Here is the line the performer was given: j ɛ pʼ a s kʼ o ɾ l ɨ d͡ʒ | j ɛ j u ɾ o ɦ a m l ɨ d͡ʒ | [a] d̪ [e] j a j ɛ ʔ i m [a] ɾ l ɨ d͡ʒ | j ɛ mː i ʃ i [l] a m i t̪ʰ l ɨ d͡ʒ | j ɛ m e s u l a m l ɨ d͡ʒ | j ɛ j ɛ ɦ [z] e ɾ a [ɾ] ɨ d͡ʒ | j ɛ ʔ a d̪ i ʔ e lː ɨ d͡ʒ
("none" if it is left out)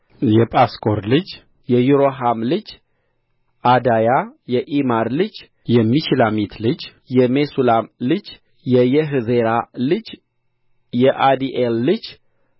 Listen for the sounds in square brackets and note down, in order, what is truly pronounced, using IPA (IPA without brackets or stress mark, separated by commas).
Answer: a, a, a, l, z, l